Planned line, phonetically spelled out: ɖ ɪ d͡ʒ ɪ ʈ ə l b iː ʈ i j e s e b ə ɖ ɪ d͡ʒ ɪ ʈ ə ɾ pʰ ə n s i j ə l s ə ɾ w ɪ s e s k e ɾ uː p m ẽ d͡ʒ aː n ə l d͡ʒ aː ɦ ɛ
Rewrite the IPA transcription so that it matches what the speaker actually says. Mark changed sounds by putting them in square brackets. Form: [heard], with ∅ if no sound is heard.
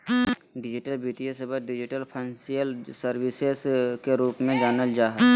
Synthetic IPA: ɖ ɪ d͡ʒ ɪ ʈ ə l b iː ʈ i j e s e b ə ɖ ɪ d͡ʒ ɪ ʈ ə [l] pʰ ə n s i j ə l s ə ɾ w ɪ s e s k e ɾ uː p m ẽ d͡ʒ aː n ə l d͡ʒ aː ɦ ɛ

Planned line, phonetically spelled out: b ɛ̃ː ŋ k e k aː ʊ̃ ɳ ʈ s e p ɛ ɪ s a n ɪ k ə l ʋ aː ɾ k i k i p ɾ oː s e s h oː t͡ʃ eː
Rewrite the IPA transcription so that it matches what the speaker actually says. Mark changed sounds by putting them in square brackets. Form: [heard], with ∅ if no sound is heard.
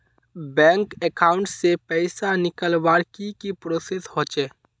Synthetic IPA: b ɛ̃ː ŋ k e k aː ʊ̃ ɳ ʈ s e p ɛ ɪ s a n ɪ k ə l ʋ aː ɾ k i k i p ɾ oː s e s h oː t͡ʃ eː

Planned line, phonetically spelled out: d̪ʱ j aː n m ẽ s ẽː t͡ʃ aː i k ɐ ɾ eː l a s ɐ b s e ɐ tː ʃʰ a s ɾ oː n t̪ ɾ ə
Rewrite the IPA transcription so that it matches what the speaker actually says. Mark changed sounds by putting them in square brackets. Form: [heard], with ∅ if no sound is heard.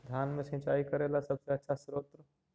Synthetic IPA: d̪ʱ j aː n m ẽ s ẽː t͡ʃ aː i k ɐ ɾ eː l a s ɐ b s e ɐ tː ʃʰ a s ɾ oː [∅] t̪ ɾ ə

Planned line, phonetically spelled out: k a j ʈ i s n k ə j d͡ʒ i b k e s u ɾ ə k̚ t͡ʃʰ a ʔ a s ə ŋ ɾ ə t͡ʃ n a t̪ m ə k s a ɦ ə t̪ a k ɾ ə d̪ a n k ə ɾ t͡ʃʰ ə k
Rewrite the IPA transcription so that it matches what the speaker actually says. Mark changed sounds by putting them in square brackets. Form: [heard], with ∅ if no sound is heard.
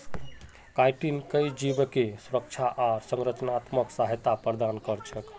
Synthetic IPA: k a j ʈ i [∅] n k ə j d͡ʒ i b k e s u ɾ ə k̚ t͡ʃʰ a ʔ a s ə ŋ ɾ ə t͡ʃ n a t̪ m ə k s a ɦ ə t̪ a [p] ɾ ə d̪ a n k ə ɾ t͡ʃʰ ə k

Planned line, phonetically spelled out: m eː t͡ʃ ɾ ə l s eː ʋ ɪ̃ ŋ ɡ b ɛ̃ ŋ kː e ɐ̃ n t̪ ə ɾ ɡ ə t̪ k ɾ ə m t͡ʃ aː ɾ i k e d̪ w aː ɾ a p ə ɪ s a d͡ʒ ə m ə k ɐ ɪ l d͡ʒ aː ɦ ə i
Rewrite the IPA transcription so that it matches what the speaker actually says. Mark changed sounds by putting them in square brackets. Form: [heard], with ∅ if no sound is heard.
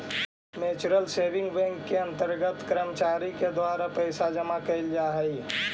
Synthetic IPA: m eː t͡ʃ ɾ ə l s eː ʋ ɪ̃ ŋ ɡ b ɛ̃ ŋ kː e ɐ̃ n t̪ ə ɾ ɡ ə t̪ k ɾ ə m t͡ʃ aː ɾ i k e d̪ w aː ɾ a p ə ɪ s a d͡ʒ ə m [a] k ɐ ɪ l d͡ʒ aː ɦ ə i

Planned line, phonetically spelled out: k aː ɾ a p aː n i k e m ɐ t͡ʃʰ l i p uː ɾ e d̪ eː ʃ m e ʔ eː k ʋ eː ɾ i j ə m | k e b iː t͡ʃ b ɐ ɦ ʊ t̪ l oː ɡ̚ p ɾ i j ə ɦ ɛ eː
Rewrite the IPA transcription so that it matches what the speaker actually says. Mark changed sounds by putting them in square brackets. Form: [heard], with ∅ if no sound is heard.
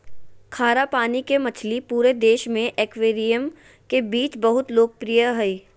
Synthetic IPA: [kʰ] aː ɾ a p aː n i k e m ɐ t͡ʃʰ l i p uː ɾ e d̪ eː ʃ m [ẽ] ʔ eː k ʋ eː ɾ i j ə m | k e b iː t͡ʃ b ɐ ɦ ʊ t̪ l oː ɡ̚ p ɾ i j ə ɦ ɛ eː

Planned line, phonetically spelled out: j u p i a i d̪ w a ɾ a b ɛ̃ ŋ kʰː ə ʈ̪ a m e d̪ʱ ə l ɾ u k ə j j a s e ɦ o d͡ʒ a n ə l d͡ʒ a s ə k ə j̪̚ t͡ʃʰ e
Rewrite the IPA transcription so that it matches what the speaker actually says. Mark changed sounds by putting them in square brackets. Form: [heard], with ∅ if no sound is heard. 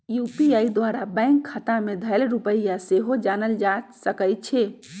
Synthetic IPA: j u p i a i d̪ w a ɾ a b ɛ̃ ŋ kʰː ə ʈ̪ a m e d̪ʱ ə l ɾ u [p] ə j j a s e ɦ o d͡ʒ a n ə l d͡ʒ a s ə k ə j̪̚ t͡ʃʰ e

